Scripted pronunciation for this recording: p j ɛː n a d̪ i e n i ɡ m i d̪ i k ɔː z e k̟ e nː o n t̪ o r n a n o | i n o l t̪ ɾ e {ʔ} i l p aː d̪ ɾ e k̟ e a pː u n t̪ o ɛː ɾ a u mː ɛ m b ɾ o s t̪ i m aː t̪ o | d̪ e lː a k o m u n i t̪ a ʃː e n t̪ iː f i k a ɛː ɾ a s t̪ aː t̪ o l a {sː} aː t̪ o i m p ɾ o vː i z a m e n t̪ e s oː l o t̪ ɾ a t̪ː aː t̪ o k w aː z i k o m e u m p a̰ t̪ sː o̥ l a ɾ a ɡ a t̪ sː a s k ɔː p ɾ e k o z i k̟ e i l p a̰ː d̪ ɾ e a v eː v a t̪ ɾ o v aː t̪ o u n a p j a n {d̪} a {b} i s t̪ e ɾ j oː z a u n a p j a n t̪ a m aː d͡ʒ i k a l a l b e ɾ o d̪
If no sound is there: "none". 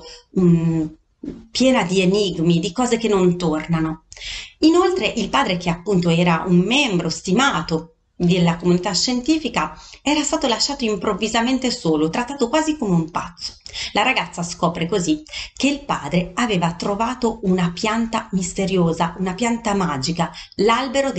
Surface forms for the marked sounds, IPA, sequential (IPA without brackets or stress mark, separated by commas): ʔ, ʃː, t̪, m